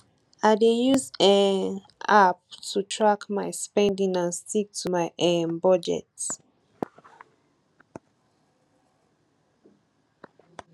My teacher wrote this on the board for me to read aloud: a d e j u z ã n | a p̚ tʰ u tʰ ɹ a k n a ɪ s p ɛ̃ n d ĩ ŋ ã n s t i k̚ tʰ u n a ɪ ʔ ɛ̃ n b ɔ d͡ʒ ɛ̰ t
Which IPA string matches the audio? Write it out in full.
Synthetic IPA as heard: a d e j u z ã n | a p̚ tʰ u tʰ ɹ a k m a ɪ s p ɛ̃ n d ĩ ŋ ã n s t i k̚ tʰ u m a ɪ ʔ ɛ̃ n b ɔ d͡ʒ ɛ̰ t